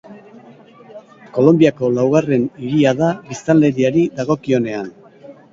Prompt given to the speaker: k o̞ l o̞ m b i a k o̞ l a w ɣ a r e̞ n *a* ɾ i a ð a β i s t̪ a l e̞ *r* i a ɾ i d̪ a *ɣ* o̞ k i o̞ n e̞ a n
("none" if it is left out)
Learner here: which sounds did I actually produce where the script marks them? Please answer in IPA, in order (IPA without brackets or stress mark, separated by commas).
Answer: i, ɾ, ɣ